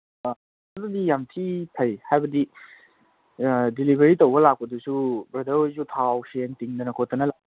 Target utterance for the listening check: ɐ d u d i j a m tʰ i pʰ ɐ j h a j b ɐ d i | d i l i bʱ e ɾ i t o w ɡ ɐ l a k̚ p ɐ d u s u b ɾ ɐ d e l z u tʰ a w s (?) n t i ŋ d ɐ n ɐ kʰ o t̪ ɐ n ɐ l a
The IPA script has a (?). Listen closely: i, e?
e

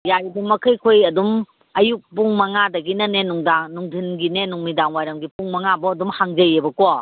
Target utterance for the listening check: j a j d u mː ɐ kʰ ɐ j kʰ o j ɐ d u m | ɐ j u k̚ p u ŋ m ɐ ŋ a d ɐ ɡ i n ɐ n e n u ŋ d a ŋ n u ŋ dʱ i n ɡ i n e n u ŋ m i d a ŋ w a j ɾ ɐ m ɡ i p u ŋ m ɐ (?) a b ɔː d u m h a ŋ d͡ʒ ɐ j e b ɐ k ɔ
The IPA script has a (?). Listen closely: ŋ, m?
ŋ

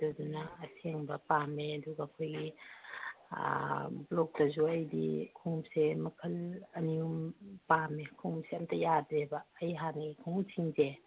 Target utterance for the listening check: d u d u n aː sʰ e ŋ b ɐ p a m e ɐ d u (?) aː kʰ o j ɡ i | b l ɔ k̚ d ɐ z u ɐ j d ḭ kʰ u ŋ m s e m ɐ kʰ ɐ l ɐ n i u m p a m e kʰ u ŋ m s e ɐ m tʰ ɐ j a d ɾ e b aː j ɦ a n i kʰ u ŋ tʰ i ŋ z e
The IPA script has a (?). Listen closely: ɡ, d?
ɡ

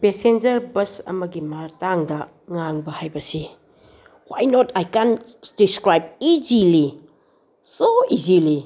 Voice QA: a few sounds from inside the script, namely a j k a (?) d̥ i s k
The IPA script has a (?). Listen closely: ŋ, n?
n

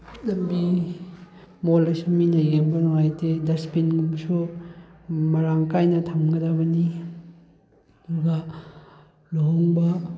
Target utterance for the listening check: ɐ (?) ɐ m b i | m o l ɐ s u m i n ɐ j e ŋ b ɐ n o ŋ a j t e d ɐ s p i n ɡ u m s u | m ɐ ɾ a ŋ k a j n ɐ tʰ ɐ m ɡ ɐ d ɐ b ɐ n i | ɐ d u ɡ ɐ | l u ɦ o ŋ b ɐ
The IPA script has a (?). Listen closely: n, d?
d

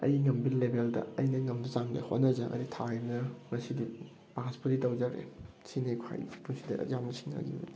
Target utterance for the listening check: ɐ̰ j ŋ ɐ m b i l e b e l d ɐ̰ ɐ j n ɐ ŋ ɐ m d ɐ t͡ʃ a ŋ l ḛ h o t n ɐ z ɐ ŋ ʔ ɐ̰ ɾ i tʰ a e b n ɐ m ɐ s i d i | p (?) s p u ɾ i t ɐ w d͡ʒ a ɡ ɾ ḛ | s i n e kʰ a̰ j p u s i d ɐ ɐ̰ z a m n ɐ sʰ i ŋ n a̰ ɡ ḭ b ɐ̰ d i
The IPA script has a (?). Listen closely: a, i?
a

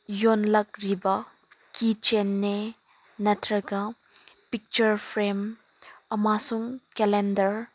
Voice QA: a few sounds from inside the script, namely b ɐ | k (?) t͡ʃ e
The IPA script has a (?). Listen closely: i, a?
i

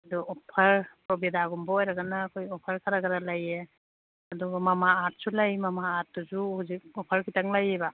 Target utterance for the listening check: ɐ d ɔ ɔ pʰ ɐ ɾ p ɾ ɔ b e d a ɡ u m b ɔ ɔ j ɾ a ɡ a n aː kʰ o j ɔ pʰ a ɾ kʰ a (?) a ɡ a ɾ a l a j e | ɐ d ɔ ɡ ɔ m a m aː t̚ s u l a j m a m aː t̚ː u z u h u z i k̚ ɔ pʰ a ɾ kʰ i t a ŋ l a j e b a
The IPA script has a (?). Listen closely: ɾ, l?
ɾ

